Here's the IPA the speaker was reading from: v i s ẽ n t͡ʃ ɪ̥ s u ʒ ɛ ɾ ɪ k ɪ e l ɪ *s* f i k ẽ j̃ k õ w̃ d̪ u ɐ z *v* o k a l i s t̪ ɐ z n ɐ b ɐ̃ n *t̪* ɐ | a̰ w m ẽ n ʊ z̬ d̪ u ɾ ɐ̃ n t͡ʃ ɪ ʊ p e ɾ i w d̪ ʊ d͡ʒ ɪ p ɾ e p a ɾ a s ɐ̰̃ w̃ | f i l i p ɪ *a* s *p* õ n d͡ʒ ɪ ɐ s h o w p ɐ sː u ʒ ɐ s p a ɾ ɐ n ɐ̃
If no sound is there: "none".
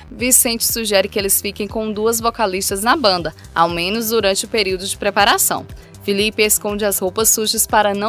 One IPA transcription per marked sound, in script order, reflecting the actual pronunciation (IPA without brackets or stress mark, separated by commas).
s, v, d̪, e, k